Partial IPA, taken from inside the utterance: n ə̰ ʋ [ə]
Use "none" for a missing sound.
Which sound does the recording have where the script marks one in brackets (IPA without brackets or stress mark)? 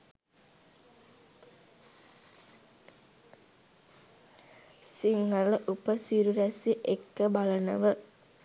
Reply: ə